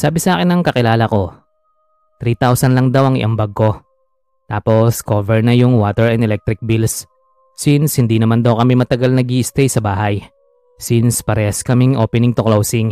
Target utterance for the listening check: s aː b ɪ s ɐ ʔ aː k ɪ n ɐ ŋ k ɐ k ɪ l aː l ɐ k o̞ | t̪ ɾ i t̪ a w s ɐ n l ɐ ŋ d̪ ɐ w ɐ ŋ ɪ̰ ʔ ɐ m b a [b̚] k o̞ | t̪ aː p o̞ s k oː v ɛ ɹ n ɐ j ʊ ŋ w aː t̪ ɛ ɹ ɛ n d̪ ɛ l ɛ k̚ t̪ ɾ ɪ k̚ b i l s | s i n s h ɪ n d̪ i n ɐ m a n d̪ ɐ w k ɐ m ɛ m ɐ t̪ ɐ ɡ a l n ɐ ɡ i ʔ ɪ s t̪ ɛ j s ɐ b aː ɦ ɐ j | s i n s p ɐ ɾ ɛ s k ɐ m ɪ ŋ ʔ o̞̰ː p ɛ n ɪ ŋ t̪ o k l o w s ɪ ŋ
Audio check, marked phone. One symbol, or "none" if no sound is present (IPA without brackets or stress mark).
ɡ̚